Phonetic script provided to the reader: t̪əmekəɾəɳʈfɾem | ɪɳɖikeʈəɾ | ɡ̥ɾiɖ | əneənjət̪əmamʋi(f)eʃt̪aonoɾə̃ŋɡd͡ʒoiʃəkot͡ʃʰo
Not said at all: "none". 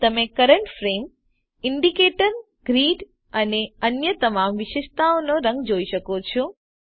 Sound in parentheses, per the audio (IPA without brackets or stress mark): ʃ